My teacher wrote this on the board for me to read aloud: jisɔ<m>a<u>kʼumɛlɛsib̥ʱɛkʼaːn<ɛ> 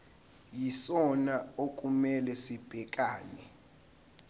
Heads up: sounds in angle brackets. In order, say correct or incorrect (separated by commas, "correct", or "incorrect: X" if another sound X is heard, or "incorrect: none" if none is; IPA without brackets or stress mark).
incorrect: n, incorrect: o, correct